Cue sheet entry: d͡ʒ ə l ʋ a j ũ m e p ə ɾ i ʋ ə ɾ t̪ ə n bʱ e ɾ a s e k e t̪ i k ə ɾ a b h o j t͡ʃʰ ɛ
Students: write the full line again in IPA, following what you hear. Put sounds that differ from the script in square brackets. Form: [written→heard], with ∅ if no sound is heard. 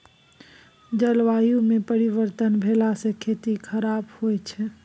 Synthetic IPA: d͡ʒ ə l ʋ a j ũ m e p ə ɾ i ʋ ə ɾ t̪ ə n bʱ e [ɾ→l] a s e [k→kʰ] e t̪ i [k→kʰ] ə ɾ a b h o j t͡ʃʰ ɛ

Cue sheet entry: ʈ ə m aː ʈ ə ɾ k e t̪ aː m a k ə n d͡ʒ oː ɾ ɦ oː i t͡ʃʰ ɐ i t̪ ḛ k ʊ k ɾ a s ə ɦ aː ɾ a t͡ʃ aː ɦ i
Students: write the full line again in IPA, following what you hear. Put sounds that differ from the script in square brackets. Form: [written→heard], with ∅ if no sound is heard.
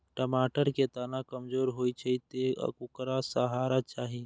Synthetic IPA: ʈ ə m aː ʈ ə ɾ k e t̪ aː [m→n] a k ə [n→m] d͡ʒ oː ɾ ɦ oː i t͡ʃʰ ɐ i t̪ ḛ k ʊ k ɾ a s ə ɦ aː ɾ a t͡ʃ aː ɦ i

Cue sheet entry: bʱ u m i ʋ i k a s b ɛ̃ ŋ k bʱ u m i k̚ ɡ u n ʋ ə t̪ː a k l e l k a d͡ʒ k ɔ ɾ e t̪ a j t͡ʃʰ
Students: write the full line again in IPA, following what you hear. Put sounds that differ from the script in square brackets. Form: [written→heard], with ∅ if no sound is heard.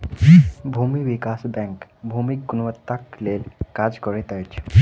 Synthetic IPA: bʱ u m i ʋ i k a s b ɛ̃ ŋ k bʱ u m i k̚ ɡ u n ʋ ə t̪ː a k l e l k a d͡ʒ k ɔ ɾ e t̪ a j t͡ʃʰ

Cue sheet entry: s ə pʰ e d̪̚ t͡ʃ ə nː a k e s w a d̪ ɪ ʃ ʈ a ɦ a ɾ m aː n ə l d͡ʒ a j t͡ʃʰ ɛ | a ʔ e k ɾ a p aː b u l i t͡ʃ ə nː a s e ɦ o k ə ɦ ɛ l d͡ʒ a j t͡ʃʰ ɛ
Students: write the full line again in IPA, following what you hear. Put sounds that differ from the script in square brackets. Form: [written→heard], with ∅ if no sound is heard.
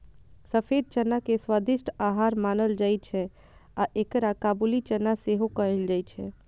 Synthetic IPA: s ə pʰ e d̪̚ t͡ʃ ə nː a k e s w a d̪ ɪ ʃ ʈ a ɦ a ɾ m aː n ə l d͡ʒ a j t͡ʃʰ ɛ | a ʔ e k ɾ a [p→k] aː b u l i t͡ʃ ə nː a s e ɦ o k ə ɦ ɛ l d͡ʒ a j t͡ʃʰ ɛ

